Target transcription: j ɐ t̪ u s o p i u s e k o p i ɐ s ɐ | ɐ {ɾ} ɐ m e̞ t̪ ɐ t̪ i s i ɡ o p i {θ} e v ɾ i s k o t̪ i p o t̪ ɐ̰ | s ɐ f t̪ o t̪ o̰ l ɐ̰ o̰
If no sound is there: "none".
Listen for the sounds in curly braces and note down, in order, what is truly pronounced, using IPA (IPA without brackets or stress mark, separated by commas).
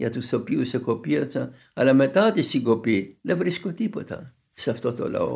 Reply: l, ð